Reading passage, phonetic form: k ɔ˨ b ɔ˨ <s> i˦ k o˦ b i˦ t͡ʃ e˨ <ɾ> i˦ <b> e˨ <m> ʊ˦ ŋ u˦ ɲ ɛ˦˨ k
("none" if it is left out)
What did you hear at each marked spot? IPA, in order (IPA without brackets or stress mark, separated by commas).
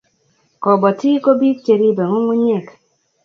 t, ɾ, b, ŋ